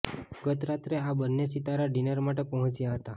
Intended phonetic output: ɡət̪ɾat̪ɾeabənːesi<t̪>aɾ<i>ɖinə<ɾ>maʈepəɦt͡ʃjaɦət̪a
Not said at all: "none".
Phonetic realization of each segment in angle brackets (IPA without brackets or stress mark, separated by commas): t̪, a, ɾ